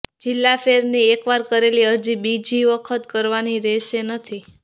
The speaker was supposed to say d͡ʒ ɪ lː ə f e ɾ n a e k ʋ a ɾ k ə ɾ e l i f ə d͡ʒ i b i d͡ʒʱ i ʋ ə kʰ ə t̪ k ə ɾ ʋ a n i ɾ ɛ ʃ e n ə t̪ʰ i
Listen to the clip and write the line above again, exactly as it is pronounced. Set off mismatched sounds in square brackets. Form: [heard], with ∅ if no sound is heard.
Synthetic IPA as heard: d͡ʒ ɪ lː [a] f e ɾ n [i] e k ʋ a ɾ k ə ɾ e l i [∅] ə d͡ʒ i b i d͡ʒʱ i ʋ ə kʰ ə t̪ k ə ɾ ʋ a n i ɾ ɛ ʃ e n ə t̪ʰ i